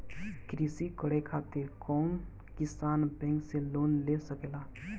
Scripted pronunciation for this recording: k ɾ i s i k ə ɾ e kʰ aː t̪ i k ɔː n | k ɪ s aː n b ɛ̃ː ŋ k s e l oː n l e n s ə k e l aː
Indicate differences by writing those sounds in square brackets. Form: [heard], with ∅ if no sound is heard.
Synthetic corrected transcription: k ɾ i s i k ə [ɽ] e kʰ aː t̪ [e] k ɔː n | k ɪ s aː n b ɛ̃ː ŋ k s e l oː n l e [∅] s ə k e l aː